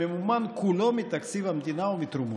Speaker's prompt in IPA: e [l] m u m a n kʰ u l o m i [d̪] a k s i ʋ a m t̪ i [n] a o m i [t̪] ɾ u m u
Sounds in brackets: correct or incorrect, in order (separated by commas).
incorrect, incorrect, correct, correct